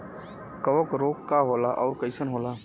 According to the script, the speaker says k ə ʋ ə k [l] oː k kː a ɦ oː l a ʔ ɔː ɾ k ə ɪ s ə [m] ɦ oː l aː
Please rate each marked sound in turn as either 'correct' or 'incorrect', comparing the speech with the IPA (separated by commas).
incorrect, incorrect